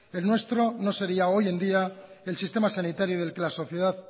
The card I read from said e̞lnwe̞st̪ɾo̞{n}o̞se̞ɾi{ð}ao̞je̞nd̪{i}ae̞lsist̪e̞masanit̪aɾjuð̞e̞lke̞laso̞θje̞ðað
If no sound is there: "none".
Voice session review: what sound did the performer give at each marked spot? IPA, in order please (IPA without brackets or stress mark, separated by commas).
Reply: n, none, i